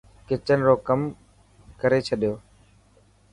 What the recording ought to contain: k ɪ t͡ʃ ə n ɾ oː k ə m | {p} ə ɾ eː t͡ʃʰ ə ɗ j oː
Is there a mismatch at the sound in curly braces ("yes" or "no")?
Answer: yes